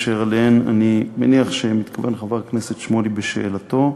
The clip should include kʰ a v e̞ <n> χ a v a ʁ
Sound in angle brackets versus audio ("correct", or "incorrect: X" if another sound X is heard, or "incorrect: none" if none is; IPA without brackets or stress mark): correct